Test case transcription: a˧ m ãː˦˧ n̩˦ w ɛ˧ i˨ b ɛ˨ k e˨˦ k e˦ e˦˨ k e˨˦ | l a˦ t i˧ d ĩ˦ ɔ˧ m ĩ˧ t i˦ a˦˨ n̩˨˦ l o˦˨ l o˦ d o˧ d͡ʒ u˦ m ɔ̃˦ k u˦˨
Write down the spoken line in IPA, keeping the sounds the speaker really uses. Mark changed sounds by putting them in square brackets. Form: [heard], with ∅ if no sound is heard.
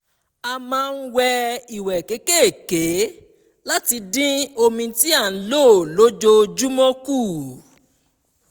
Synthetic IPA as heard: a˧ m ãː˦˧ n̩˦ w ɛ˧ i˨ [w] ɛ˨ k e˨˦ k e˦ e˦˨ k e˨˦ | l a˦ t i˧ d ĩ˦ [o˧] m ĩ˧ t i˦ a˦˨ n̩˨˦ l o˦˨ l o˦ [d͡ʒ] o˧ d͡ʒ u˦ m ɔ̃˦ k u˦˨